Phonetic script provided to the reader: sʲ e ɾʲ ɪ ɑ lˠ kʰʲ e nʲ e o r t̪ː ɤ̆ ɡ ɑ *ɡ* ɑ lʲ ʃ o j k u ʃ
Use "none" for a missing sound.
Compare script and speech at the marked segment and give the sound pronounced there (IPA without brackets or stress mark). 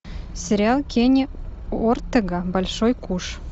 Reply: b